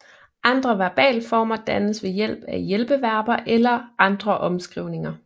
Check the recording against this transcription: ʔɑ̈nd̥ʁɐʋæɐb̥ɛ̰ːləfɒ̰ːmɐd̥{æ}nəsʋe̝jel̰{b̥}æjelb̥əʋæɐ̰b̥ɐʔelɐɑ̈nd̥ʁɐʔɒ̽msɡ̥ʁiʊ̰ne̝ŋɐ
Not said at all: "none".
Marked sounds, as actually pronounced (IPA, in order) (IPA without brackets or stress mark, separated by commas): æ, b̥